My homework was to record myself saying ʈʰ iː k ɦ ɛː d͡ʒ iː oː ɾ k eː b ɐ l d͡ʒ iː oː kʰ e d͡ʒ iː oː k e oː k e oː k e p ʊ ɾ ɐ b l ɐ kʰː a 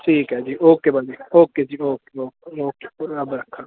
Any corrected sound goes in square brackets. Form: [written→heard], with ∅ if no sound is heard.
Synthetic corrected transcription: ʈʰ iː k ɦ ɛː d͡ʒ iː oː [ɾ→∅] k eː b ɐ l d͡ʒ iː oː [kʰ→k] e d͡ʒ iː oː k e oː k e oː k e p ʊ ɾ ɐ b [l→ɾ] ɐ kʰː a